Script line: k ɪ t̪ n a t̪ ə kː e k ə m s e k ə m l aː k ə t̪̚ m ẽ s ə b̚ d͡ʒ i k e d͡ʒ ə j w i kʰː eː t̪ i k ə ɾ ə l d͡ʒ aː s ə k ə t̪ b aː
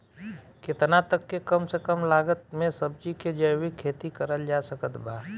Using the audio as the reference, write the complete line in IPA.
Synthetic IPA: k ɪ t̪ n a t̪ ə kː e k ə m s e k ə m l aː ɡ ə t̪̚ m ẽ s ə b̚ d͡ʒ i k e d͡ʒ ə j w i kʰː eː t̪ i k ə ɾ ə l d͡ʒ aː s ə k ə t̪ b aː

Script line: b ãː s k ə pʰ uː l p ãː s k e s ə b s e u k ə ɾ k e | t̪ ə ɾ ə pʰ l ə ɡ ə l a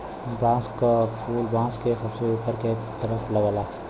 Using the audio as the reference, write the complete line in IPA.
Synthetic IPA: b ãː s k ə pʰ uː l b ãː s k e s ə b s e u p ə ɾ k e | t̪ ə ɾ ə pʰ l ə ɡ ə l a

